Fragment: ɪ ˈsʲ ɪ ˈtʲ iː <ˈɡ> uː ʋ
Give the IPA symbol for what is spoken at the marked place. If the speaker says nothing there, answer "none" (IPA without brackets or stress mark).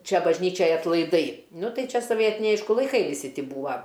b